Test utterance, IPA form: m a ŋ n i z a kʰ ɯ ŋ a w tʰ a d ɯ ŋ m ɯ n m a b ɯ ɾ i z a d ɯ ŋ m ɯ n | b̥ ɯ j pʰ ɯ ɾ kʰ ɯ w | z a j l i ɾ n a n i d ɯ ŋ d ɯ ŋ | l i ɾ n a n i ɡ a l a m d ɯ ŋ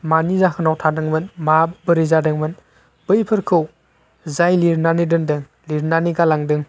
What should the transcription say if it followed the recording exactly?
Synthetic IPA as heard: m a n i z a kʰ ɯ n a w tʰ a d ɯ ŋ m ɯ n m a b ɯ ɾ i z a d ɯ ŋ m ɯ n | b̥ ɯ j pʰ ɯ ɾ kʰ ɯ w | z a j l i ɾ n a n i d ɯ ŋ d ɯ ŋ | l i ɾ n a n i ɡ a l a ŋ d ɯ ŋ